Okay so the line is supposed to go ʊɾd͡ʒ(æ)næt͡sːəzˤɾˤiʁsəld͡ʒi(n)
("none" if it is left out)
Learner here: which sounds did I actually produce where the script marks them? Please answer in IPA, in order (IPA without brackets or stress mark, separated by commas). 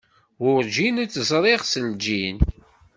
i, n